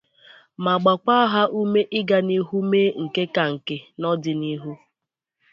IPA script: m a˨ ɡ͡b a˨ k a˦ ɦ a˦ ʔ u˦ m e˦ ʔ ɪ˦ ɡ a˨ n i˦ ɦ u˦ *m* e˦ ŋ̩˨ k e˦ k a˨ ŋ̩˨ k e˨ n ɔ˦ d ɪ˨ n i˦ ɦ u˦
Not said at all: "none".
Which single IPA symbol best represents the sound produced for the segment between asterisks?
m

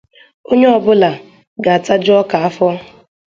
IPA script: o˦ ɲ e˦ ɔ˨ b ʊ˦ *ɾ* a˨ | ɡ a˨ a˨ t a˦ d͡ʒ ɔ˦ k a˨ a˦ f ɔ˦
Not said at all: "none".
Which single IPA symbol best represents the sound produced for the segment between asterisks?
l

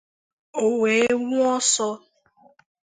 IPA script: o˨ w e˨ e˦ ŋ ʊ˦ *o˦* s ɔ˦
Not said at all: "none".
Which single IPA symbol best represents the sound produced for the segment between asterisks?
ɔ˦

